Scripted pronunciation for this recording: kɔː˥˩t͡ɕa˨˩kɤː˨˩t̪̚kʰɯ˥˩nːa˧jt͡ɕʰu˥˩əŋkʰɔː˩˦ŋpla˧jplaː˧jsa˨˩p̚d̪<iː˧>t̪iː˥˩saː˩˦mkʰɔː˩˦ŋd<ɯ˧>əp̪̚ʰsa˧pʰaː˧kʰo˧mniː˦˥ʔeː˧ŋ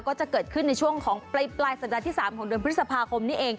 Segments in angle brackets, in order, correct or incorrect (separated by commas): incorrect, correct